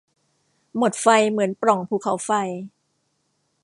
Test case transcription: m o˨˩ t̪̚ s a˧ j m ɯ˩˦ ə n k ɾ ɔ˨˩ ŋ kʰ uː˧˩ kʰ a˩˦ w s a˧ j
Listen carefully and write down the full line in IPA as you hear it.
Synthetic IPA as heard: m o˨˩ t̪̚ f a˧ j m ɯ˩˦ ə n p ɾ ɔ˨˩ ŋ pʰ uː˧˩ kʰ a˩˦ w f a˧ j

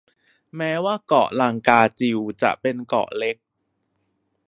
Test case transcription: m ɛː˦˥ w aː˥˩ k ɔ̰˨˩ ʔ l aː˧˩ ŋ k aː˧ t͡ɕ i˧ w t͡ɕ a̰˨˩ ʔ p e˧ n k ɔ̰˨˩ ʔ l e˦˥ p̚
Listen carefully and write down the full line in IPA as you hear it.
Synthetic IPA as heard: m ɛː˦˥ w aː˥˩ k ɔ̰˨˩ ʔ l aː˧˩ ŋ k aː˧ t͡ɕ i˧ w t͡ɕ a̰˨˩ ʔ p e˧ n k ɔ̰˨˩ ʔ l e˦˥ k̚

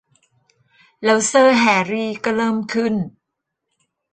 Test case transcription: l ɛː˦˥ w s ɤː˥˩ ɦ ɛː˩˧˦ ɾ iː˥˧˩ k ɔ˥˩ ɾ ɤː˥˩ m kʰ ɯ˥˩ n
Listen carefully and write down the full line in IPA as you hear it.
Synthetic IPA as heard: l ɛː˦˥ w s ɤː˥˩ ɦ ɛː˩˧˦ ɾ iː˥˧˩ k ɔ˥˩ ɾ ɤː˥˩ m kʰ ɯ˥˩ n

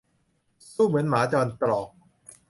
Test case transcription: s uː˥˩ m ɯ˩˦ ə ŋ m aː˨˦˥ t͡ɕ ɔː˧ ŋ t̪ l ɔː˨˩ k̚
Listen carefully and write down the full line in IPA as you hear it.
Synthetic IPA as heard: s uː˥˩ m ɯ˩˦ ə n m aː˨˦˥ t͡ɕ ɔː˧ n t̪ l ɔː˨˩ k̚

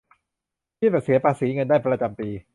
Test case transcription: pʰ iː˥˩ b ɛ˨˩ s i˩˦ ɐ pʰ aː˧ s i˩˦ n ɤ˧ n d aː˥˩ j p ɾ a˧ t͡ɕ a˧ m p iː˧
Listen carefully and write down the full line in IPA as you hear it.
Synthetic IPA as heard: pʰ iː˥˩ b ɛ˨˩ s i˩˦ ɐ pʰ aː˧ s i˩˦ ŋ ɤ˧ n d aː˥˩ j p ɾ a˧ t͡ɕ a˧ m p iː˧

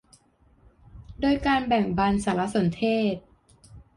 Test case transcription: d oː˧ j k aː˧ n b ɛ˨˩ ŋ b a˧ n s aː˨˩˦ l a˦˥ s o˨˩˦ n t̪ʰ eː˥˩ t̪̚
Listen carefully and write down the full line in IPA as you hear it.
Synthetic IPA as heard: d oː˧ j k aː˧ n b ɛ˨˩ ŋ b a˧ n s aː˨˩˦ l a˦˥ s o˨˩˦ n t̪ʰ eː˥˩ t̪̚

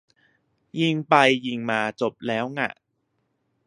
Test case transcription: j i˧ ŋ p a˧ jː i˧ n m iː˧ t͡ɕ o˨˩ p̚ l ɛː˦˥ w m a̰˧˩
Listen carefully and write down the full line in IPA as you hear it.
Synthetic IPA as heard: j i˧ ŋ p a˧ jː i˧ ŋ m aː˧ t͡ɕ o˨˩ p̚ l ɛː˦˥ w ŋ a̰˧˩

